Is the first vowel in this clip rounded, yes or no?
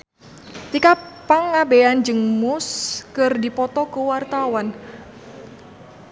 no